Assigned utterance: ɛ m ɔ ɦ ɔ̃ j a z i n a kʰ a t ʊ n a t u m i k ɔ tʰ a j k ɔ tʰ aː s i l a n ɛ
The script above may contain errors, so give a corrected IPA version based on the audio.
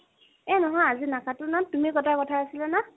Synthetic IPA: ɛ n ɔ ɦ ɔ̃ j a z i n a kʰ a t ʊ n a t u m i k ɔ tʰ a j k ɔ tʰ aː s i l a n a